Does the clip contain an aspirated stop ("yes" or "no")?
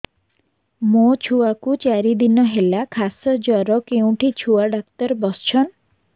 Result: yes